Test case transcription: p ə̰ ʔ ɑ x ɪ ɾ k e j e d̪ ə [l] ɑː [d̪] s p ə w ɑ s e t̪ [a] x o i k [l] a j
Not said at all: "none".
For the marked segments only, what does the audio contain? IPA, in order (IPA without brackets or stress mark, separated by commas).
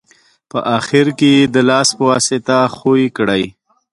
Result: l, none, a, ɽ